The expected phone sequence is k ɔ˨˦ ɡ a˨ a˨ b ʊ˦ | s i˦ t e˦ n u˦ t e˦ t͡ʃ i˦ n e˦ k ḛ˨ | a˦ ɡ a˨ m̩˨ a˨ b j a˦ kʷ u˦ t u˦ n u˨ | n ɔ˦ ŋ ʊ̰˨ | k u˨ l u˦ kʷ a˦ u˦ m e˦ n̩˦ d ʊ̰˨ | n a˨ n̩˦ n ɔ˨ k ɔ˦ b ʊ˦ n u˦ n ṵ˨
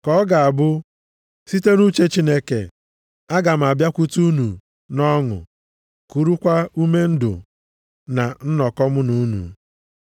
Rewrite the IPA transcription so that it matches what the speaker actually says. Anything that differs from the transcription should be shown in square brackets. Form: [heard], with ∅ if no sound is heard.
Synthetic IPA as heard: k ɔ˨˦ ɡ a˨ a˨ b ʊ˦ | s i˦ t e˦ n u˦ [t͡ʃ] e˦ t͡ʃ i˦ n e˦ k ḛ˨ | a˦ ɡ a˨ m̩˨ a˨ b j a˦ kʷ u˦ t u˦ n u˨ | n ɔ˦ ŋ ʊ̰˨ | k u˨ [ɾ] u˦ kʷ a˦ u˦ m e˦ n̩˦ d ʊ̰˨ | n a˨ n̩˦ n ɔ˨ k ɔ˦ [m] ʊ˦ n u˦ n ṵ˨